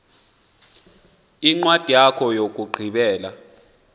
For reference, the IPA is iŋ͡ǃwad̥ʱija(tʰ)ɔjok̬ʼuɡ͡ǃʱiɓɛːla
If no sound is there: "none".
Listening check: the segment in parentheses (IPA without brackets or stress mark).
kʰ